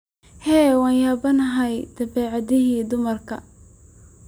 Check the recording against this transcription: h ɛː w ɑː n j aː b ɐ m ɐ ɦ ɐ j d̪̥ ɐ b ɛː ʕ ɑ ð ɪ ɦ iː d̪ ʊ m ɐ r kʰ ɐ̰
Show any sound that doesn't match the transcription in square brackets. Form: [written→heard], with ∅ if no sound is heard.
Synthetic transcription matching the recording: h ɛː w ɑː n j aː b ɐ [m→n] ɐ ɦ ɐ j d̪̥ ɐ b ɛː ʕ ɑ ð ɪ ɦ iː d̪ ʊ m ɐ r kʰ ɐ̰